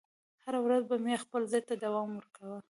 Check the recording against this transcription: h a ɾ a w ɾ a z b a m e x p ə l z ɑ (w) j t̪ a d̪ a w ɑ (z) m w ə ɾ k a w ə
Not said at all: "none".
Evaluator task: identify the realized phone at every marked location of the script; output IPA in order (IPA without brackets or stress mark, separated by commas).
none, none